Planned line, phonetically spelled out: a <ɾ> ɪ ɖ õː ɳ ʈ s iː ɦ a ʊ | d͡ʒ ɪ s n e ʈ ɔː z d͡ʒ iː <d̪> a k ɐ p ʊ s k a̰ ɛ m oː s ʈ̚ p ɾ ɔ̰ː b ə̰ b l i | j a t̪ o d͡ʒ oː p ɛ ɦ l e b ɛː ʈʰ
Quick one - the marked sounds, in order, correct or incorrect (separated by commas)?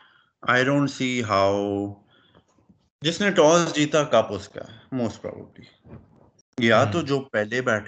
incorrect, incorrect